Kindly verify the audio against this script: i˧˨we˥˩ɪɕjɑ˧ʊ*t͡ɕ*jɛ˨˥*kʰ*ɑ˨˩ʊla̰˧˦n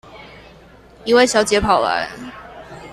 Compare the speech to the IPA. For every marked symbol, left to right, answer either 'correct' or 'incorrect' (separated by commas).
correct, incorrect